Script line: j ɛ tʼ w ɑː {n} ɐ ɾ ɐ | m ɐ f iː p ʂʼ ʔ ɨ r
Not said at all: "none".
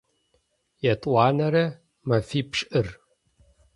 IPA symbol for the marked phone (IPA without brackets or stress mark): n